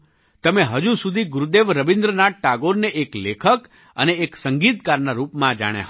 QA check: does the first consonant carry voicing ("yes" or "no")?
no